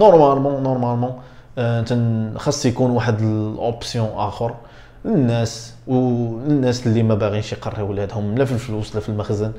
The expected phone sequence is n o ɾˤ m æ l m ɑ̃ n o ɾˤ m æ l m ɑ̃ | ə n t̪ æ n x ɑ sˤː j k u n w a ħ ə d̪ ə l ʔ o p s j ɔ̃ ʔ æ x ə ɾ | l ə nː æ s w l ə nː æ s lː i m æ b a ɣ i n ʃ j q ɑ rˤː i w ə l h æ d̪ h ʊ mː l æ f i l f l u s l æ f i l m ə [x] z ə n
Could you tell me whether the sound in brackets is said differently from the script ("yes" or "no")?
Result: no